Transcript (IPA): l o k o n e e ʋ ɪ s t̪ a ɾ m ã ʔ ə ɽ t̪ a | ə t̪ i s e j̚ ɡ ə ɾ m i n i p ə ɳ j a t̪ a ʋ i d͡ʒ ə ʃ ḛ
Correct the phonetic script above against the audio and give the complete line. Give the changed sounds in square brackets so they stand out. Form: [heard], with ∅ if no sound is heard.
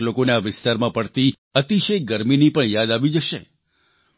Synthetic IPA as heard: l o k o n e [a] ʋ ɪ s t̪ a ɾ m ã [p] ə ɽ t̪ [i] | ə t̪ i [ʃ] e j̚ ɡ ə ɾ m i n i p ə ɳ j a [d̪] a ʋ i d͡ʒ ə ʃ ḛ